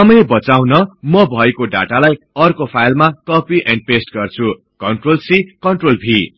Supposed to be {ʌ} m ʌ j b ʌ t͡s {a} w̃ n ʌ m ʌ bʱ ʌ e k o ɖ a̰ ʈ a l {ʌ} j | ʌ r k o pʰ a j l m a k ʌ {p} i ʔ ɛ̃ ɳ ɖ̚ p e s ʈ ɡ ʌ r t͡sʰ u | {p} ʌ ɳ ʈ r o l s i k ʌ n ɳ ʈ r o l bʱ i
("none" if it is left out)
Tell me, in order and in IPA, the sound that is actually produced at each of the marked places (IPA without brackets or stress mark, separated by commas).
ʌ, a, a, p, k